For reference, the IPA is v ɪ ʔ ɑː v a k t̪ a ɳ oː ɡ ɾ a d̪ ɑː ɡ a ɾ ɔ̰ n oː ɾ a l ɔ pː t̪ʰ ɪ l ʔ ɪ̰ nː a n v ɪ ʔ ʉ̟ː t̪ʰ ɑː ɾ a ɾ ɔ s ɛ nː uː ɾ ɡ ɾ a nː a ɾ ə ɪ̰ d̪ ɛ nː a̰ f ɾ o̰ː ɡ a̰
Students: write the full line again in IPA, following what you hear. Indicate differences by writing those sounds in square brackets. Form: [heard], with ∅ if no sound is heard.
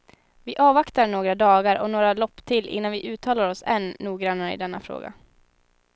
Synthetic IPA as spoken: v ɪ ʔ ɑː v a k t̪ a ɳ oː ɡ ɾ a d̪ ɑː ɡ a ɾ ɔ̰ n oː ɾ a l ɔ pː t̪ʰ ɪ l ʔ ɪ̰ nː a n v ɪ ʔ ʉ̟ː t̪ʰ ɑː [l] a ɾ ɔ s ɛ nː uː [∅] ɡ ɾ a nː a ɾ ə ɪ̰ d̪ ɛ nː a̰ f ɾ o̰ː ɡ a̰